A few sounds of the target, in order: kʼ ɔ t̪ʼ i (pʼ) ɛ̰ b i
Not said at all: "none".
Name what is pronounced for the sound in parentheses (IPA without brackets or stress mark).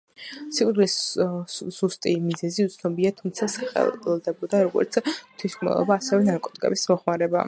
kʼ